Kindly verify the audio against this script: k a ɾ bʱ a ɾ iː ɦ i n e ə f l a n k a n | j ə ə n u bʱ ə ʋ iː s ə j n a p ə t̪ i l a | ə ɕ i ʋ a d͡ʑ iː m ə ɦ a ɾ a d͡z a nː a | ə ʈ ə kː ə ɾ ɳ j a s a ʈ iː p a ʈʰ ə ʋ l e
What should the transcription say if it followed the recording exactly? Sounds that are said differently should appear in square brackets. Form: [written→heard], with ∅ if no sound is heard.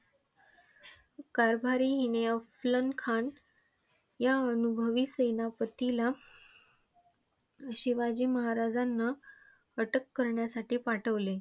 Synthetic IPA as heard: k a ɾ bʱ a ɾ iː ɦ i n e ə f l [a→ə] n [k→kʰ] a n | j [ə→a] ə n u bʱ ə ʋ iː s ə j n a p ə t̪ i l a | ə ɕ i ʋ a d͡ʑ iː m ə ɦ a ɾ a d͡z a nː a | ə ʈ ə kː ə ɾ ɳ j a s a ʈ iː p a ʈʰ ə ʋ l e

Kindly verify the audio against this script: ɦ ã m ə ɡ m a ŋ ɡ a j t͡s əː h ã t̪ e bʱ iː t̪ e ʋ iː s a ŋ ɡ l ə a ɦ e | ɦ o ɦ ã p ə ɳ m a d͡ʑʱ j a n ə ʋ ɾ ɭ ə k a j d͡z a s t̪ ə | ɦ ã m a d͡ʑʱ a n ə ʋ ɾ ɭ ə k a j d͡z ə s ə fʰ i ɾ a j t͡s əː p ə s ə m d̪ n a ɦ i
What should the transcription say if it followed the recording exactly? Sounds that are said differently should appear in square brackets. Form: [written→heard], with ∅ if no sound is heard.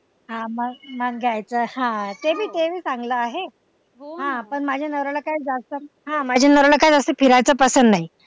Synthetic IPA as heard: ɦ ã m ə ɡ m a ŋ ɡ a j t͡s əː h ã t̪ e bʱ iː t̪ e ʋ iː s a ŋ ɡ l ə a ɦ e | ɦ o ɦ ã p ə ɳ m a d͡ʑʱ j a n ə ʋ ɾ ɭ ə k a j d͡z a s t̪ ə | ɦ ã m a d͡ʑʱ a n ə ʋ ɾ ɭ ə k a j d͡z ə s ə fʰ i ɾ a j t͡s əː p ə s ə [m→n] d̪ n a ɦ i

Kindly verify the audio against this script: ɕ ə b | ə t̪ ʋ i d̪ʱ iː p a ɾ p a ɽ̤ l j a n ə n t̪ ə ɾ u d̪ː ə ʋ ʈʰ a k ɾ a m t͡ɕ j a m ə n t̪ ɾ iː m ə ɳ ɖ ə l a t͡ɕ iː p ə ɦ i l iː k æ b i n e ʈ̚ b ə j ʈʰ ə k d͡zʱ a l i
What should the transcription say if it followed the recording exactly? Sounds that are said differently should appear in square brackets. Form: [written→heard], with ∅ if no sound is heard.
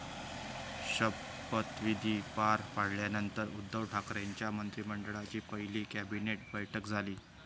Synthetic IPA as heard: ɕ ə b | ə t̪ ʋ i d̪ʱ iː p a ɾ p a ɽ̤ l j a n ə n t̪ ə ɾ u d̪ː ə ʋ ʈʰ a k ɾ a [m→ɲ] t͡ɕ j a m ə n t̪ ɾ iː m ə ɳ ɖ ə [l→ɭ] a t͡ɕ iː p ə ɦ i l iː k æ b i n e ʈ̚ b ə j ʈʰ ə k d͡zʱ a l [i→iː]

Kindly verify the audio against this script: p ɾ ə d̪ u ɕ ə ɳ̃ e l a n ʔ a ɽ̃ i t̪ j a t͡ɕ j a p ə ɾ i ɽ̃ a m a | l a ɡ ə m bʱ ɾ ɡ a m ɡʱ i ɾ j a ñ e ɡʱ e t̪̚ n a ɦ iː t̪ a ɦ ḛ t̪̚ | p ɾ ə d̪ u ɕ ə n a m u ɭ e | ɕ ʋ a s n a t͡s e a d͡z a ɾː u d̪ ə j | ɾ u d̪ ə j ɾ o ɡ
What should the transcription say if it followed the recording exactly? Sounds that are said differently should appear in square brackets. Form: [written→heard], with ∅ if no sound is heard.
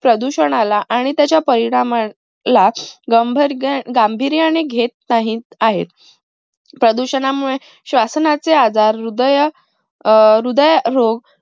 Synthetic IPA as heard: p ɾ ə d̪ u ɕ ə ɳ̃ [e→a] l a [n→∅] ʔ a ɽ̃ i t̪ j a t͡ɕ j a p ə ɾ i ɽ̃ a m a | l a ɡ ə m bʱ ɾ ɡ a m [ɡʱ→bʱ] i ɾ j a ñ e ɡʱ e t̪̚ n a ɦ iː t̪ a ɦ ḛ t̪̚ | p ɾ ə d̪ u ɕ ə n a m u ɭ e | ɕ ʋ a s n a t͡s e a d͡z a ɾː u d̪ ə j | ɾ u d̪ ə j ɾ o ɡ

